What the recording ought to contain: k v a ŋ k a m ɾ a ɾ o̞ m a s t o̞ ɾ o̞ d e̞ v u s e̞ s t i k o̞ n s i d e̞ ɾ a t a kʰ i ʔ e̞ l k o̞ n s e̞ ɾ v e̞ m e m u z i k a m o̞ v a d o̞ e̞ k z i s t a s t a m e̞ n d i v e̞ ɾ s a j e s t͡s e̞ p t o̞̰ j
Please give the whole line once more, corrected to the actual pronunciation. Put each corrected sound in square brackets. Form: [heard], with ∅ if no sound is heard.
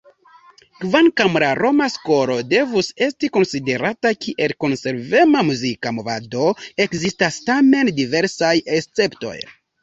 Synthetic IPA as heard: k v a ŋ k a m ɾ a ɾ o̞ m a s [k] o̞ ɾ o̞ d e̞ v u s e̞ s t i k o̞ n s i d e̞ ɾ a t a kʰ i ʔ e̞ l k o̞ n s e̞ ɾ v e̞ m [a] m u z i k a m o̞ v a d o̞ e̞ k z i s t a s t a m e̞ n d i v e̞ ɾ s a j e s t͡s e̞ p t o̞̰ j